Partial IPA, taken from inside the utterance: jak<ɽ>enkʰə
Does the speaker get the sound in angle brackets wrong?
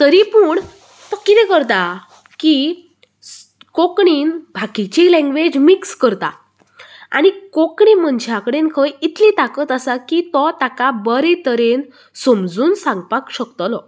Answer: no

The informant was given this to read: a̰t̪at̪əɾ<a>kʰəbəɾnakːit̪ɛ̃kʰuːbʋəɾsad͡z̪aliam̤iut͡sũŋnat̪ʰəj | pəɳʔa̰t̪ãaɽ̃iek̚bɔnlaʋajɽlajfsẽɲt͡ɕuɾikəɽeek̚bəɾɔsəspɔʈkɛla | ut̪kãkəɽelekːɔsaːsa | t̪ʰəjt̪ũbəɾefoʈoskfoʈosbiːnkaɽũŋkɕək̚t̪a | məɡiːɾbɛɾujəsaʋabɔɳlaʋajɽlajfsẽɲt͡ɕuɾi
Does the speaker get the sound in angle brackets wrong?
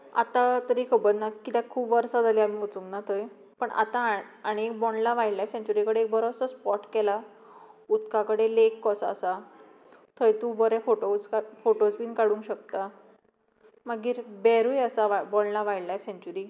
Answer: yes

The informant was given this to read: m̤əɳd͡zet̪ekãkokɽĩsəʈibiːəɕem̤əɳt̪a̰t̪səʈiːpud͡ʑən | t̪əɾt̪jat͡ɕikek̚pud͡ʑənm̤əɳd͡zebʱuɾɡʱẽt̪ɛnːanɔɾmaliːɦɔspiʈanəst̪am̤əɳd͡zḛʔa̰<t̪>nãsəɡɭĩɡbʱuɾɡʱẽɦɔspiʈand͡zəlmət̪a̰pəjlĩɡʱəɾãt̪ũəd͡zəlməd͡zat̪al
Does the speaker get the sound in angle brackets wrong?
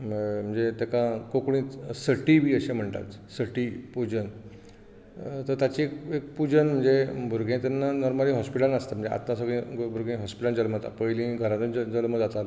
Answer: no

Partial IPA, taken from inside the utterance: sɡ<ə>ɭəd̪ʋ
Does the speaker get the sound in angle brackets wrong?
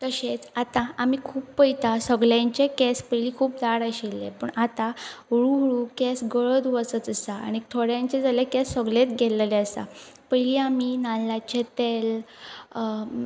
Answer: no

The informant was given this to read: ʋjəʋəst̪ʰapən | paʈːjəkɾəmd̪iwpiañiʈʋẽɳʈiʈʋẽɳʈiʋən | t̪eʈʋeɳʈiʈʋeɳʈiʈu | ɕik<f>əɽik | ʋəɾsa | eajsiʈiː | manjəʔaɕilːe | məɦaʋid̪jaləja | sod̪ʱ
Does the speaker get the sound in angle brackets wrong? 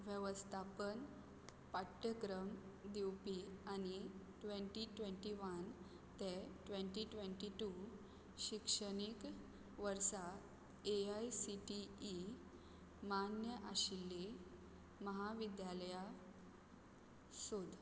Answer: yes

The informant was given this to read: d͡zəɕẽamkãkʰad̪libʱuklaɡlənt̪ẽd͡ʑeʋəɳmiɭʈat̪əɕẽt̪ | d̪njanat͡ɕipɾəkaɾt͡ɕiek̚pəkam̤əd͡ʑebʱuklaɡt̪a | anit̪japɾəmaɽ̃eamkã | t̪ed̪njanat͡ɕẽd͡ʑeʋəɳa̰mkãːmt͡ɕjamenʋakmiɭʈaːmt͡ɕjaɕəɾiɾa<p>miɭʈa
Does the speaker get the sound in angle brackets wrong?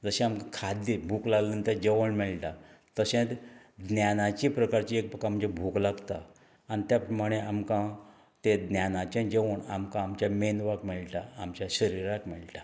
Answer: yes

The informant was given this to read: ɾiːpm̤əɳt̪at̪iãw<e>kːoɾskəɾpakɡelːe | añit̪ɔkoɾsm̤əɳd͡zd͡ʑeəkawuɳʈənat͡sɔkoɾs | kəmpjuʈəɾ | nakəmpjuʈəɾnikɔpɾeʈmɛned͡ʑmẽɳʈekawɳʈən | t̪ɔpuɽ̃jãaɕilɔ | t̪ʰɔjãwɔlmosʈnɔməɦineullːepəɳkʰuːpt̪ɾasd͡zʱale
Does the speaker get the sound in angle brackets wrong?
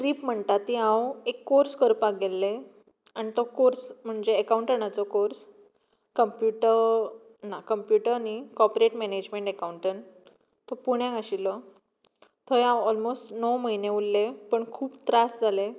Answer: no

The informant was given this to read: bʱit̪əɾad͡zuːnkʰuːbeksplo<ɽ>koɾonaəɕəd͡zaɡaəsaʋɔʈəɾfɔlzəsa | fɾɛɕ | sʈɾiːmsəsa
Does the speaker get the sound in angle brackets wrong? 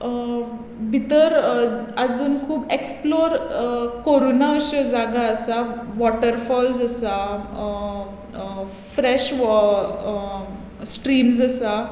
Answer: yes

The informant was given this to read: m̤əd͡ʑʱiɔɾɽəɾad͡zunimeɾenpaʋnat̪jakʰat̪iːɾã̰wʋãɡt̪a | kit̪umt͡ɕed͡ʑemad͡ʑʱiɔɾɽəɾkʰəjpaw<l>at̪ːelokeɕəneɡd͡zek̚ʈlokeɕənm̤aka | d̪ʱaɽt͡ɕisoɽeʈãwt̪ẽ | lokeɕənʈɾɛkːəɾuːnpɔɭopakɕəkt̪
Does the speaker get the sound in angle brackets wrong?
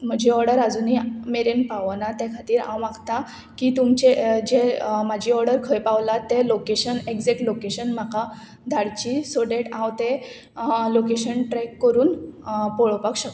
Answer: no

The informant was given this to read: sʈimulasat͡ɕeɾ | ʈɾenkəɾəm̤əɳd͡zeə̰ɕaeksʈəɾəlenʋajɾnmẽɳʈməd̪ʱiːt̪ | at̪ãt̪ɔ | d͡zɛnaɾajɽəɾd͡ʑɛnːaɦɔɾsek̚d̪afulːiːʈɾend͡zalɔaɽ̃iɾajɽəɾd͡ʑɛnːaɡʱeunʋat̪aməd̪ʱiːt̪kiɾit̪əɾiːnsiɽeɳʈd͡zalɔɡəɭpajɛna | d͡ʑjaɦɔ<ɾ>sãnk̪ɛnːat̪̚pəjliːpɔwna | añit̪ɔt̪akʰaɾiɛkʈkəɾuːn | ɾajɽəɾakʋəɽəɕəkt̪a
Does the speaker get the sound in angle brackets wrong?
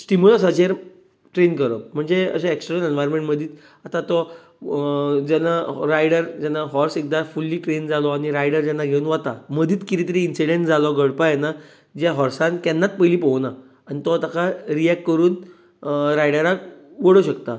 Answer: no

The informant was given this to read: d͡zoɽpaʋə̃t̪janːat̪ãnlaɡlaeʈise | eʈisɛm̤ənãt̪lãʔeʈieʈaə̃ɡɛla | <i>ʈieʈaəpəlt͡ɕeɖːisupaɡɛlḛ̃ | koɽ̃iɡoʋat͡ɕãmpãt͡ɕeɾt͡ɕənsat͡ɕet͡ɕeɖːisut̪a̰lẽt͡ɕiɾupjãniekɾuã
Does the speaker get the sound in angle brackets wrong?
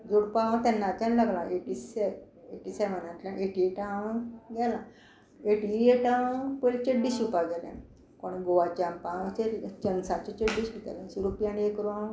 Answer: yes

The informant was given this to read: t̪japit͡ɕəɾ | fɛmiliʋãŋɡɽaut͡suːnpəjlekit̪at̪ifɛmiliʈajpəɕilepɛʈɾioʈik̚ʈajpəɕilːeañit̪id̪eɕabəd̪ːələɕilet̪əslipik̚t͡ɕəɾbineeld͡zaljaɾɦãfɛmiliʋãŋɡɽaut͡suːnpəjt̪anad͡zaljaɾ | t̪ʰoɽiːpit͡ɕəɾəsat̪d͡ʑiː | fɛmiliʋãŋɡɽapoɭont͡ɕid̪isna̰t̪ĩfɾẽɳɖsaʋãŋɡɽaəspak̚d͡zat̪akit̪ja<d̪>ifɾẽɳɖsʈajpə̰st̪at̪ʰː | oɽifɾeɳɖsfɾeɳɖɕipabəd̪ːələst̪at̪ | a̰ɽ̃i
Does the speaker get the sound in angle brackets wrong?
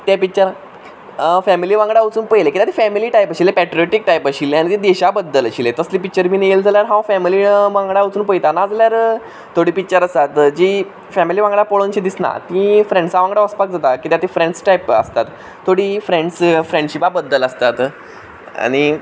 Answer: yes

